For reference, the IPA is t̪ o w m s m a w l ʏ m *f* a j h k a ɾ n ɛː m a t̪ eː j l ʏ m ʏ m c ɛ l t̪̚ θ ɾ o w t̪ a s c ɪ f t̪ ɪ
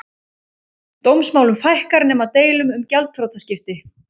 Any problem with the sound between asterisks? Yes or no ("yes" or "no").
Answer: no